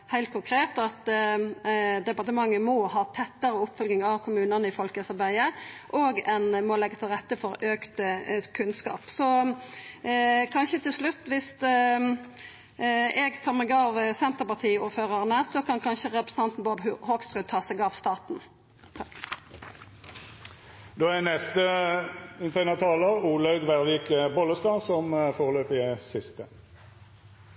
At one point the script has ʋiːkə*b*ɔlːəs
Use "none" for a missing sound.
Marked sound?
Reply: b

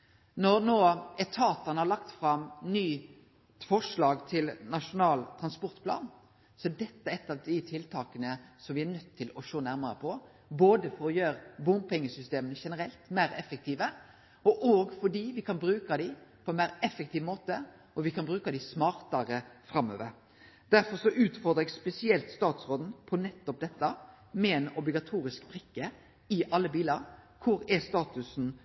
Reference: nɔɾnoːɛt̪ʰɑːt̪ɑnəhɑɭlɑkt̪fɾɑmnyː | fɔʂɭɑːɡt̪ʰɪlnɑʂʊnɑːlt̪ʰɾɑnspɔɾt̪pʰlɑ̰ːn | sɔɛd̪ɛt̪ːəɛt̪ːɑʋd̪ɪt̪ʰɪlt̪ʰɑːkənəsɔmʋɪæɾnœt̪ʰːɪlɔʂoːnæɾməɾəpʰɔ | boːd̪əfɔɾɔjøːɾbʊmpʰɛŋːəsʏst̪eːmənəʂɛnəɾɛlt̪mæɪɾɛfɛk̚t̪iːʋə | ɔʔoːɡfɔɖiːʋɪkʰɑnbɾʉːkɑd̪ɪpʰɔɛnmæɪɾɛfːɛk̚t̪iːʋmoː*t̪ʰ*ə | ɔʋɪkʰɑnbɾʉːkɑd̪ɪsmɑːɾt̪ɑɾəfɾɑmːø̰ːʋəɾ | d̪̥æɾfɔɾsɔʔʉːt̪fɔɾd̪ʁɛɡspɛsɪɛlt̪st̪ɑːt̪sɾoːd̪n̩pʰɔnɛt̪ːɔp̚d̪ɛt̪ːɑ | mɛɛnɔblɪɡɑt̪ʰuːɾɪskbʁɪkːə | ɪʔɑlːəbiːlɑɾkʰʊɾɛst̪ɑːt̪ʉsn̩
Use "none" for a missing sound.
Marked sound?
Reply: t̪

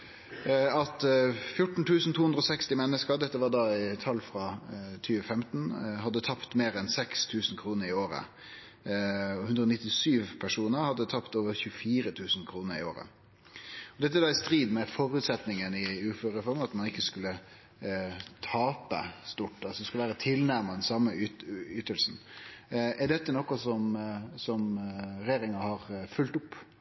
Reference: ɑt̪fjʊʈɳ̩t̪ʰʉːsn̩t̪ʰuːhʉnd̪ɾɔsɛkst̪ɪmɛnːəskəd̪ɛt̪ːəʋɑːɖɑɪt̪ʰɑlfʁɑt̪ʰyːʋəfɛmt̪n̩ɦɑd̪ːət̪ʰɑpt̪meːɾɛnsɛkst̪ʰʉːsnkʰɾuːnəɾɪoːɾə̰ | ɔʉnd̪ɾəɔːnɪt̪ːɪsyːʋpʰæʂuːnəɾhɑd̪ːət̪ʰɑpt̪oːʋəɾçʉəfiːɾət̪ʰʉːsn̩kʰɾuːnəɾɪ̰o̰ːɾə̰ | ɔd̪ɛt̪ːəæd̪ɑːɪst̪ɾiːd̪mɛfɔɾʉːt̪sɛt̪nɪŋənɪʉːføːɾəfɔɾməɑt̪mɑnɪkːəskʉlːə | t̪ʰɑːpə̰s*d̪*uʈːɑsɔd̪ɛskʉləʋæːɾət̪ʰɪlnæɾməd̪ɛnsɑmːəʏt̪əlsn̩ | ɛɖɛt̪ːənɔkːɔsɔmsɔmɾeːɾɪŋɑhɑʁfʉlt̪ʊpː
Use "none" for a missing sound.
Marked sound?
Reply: t̪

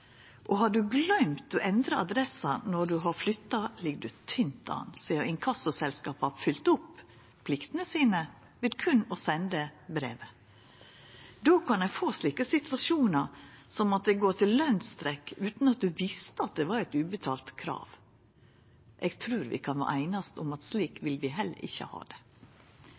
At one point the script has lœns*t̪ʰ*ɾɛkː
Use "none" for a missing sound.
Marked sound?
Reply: t̪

